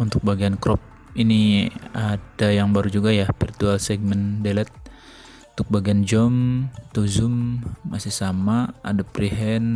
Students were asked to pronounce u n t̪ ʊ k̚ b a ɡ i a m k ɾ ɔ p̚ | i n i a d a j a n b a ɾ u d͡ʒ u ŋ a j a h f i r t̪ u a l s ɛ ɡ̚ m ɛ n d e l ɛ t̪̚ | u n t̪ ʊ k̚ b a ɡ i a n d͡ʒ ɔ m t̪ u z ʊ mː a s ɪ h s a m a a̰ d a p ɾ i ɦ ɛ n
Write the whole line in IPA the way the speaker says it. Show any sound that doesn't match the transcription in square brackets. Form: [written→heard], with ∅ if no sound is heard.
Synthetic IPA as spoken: u n t̪ ʊ k̚ b a ɡ i a [m→n] k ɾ ɔ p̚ | i n i a d a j a [n→ŋ] b a ɾ u d͡ʒ u [ŋ→ɡ] a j a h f i r t̪ u a l s ɛ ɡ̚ m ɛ n d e l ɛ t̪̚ | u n t̪ ʊ k̚ b a ɡ i a n d͡ʒ ɔ m t̪ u z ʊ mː a s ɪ h s a m a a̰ d a p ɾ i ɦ ɛ n

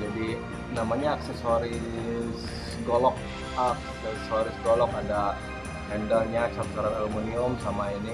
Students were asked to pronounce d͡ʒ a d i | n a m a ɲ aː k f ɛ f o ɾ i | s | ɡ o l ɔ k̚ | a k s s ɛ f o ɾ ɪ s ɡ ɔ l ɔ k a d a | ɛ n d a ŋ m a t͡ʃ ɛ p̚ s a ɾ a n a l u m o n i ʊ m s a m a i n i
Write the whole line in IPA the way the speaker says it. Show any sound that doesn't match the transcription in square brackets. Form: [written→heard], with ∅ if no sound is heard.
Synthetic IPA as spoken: d͡ʒ a d i | n a m a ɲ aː k [f→s] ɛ [f→s] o ɾ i | s | ɡ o l ɔ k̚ | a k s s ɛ [f→s] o ɾ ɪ s ɡ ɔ l ɔ k a d a | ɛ n d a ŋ [m→ɲ] a t͡ʃ [ɛ→a] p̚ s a ɾ a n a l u m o n i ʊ m s a m a i n i

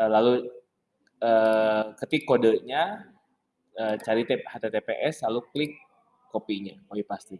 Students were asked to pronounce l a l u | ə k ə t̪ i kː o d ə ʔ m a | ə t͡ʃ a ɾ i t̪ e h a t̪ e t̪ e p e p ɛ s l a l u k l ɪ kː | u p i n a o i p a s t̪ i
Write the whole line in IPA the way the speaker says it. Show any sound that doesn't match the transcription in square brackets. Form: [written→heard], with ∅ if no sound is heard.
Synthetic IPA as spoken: l a l u | ə k ə t̪ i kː o d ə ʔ [m→ɲ] a | ə t͡ʃ a ɾ i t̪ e h a t̪ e t̪ e p e [p→ʔ] ɛ s l a l u k l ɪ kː | [u→o] p i [n→ɲ] a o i p a s t̪ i

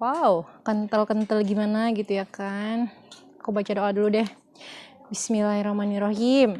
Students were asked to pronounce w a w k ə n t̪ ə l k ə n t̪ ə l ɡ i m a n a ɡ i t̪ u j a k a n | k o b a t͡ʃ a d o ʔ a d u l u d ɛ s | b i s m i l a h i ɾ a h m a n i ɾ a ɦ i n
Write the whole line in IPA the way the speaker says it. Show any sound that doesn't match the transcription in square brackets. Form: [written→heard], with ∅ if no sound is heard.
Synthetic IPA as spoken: w a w k ə n t̪ ə l k ə n t̪ ə l ɡ i m a n a ɡ i t̪ u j a k a n | k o b a t͡ʃ a d o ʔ a d u l u d ɛ [s→h] | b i s m i l a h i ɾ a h m a n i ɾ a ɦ i [n→m]

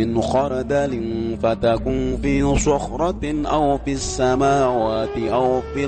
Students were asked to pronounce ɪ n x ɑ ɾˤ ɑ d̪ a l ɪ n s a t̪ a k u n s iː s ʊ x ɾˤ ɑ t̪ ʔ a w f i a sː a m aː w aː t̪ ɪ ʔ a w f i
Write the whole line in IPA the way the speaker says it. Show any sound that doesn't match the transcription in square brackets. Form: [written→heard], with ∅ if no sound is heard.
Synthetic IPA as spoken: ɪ n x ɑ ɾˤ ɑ d̪ a l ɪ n [s→f] a t̪ a k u n [s→f] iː s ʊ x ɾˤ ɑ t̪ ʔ a w f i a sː a m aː w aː t̪ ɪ ʔ a w f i

